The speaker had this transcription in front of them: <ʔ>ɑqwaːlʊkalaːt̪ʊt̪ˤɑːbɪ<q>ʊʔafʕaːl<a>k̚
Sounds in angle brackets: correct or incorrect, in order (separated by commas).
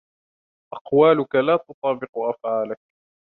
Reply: correct, correct, correct